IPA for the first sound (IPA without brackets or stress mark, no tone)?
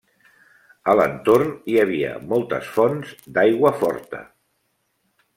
ə